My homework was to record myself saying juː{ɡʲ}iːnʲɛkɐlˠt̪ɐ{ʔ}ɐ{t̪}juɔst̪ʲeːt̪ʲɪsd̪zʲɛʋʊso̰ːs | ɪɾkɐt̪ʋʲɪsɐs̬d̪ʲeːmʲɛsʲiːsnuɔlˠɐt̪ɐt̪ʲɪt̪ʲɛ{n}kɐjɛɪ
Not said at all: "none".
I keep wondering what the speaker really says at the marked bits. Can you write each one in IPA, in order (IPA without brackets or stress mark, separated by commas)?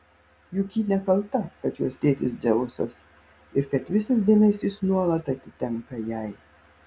kʲ, k, t̪, ŋ